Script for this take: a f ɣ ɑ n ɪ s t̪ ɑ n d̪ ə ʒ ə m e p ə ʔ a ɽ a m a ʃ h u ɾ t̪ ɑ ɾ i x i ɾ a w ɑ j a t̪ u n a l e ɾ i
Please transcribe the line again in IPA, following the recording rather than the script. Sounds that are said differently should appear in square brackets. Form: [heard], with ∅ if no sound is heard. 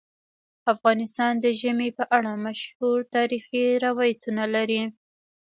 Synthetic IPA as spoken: a f ɣ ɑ n ɪ s t̪ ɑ n d̪ ə ʒ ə m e p ə ʔ a ɽ a m a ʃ h u ɾ t̪ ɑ ɾ i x i ɾ a w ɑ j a t̪ u n a l [a] ɾ i